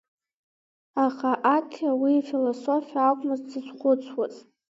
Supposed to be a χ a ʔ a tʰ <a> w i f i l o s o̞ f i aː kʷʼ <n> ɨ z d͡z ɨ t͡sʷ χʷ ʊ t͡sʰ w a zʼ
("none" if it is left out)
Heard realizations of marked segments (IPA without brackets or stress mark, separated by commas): a, m